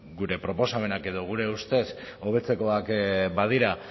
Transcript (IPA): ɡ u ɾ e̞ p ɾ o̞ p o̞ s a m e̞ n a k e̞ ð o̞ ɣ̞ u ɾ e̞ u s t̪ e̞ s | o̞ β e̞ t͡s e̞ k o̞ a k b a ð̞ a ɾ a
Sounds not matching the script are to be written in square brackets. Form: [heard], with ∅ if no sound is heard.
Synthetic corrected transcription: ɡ u ɾ e̞ p ɾ o̞ p o̞ s a m e̞ n a k e̞ ð o̞ ɣ̞ u ɾ e̞ u s t̪ e̞ s | o̞ β e̞ t͡s e̞ k o̞ a k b a ð̞ [i] ɾ a